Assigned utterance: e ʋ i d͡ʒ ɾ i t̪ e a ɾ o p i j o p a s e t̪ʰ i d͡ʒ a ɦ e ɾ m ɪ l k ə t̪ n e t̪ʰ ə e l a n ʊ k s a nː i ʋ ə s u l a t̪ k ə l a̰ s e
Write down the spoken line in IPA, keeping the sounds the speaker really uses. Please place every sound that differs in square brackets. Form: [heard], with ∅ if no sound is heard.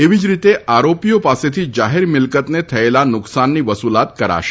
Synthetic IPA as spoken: e ʋ i d͡ʒ ɾ i t̪ e a ɾ o p i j o p a s e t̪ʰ i d͡ʒ a ɦ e ɾ m ɪ l k ə t̪ n e t̪ʰ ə e l a n ʊ k s a nː i ʋ ə s u l a t̪ k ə [ɾ] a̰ [ʃ] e